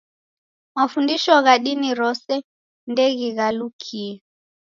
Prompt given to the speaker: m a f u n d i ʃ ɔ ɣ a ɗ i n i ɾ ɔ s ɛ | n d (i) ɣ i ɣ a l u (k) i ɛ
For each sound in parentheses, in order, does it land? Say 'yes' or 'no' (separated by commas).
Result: no, no